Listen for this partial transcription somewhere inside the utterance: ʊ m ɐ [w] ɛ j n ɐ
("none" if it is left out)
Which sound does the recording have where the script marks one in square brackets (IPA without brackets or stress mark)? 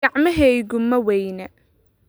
w